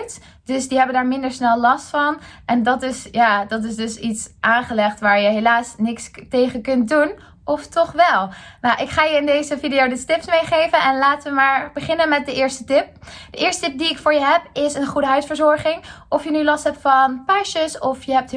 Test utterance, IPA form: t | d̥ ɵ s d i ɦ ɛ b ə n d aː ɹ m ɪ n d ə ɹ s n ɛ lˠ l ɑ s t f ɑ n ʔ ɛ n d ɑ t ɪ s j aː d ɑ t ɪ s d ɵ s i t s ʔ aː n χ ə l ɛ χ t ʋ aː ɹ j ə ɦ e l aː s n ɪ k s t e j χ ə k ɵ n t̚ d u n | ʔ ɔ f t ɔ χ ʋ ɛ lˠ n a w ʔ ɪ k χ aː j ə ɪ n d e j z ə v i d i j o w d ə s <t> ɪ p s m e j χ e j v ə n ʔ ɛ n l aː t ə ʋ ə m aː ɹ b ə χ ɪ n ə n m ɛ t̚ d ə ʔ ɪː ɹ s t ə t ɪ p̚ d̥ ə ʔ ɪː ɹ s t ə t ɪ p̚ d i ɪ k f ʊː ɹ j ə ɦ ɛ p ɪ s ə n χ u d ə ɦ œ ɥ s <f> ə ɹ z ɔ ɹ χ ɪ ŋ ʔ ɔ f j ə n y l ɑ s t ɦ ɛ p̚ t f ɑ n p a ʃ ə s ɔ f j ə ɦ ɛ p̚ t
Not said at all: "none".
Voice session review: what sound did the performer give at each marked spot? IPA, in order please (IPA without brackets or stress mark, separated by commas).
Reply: t, f